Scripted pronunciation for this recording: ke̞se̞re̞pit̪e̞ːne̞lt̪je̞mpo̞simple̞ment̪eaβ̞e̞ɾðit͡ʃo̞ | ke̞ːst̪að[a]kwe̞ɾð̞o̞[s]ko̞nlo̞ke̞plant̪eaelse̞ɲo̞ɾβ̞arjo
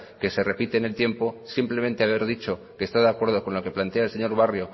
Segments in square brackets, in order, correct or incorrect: correct, incorrect: none

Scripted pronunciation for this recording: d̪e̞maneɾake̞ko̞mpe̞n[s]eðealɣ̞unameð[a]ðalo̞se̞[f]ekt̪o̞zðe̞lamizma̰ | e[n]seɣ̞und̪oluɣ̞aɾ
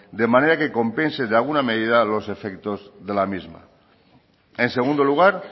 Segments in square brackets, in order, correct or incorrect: correct, incorrect: i, correct, correct

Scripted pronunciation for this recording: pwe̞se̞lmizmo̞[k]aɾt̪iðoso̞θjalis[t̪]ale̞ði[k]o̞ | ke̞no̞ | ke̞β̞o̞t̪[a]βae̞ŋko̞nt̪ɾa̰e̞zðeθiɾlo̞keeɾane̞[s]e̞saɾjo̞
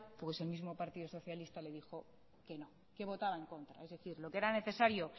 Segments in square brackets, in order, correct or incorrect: incorrect: p, correct, incorrect: x, correct, incorrect: θ

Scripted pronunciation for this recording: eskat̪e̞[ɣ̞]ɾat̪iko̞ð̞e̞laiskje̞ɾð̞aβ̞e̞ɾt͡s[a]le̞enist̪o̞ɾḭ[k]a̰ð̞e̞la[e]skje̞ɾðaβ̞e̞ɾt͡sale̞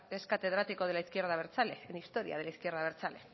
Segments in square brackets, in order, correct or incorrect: incorrect: ð̞, correct, incorrect: none, incorrect: i

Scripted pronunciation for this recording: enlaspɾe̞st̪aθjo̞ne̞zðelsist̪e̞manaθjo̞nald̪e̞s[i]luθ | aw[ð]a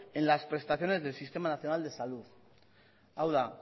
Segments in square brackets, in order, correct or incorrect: incorrect: a, correct

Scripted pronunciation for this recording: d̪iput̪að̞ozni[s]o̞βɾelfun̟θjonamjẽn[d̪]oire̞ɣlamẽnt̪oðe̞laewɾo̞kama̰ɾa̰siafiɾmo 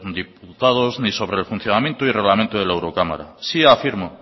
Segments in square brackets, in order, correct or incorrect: correct, incorrect: t̪

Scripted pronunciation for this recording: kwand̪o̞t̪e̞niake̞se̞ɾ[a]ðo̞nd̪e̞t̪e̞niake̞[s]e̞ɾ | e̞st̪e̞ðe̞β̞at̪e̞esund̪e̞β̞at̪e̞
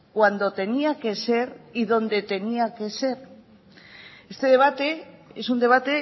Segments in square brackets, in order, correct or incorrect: incorrect: i, correct

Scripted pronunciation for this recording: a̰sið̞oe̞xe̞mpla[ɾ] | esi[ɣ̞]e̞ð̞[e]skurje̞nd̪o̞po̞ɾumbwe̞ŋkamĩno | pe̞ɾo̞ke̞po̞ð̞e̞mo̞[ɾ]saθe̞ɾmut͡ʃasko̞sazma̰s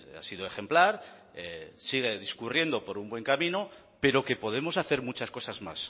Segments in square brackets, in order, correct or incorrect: correct, correct, incorrect: i, incorrect: none

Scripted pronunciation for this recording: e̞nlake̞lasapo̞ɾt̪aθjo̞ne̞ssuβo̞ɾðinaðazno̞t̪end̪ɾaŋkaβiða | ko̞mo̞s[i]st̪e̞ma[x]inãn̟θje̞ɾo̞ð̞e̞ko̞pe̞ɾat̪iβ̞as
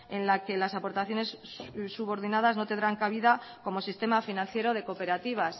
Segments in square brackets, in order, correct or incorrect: correct, incorrect: f

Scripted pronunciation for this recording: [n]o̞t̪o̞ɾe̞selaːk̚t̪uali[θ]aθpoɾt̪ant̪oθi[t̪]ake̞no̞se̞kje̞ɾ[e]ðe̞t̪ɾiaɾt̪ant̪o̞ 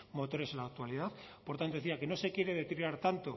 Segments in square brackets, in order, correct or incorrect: incorrect: m, incorrect: ð, incorrect: none, correct

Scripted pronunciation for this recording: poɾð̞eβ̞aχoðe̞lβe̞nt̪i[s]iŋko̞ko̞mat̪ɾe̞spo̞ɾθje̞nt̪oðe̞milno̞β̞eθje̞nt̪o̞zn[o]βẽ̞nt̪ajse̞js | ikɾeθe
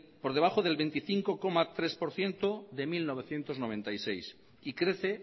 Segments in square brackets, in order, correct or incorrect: incorrect: θ, correct

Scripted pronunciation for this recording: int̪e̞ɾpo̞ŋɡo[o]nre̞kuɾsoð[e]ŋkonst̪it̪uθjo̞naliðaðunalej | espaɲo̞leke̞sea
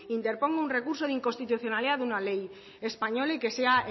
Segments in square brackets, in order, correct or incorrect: incorrect: u, incorrect: i

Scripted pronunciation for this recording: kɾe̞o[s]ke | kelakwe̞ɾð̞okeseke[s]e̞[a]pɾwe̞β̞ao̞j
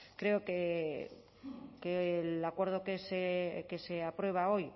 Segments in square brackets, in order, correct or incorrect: incorrect: none, correct, correct

